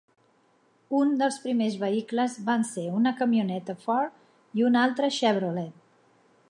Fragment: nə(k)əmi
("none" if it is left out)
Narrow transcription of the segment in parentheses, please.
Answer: k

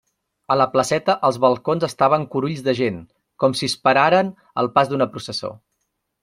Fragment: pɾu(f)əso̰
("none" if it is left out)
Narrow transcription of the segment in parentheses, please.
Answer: s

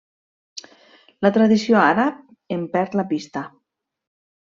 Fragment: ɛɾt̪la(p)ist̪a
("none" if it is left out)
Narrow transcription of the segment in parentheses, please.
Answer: p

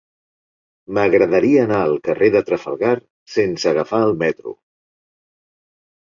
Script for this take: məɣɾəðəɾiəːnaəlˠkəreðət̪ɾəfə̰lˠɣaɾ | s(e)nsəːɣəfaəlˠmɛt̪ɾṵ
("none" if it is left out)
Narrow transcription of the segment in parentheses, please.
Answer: e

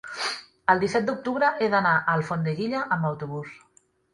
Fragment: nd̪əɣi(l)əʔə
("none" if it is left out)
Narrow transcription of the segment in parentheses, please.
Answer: ʎ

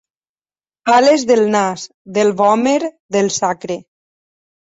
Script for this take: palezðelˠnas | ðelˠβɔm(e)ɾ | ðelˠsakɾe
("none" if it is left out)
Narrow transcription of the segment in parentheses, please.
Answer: e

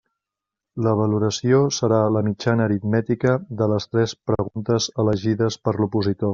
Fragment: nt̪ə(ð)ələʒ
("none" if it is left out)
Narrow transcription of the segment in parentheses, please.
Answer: z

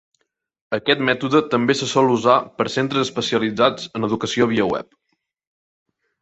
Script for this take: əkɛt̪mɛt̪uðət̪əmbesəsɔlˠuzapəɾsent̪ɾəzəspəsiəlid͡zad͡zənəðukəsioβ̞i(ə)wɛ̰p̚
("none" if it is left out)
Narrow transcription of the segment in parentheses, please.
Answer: ə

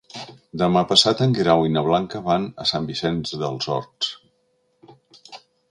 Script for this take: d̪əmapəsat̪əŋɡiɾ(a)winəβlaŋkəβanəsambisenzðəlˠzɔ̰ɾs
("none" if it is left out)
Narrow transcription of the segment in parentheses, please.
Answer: a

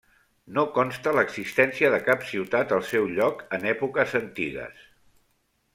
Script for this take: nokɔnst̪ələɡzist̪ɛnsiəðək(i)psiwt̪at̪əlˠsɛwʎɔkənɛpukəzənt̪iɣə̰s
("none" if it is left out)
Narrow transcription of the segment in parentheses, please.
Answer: a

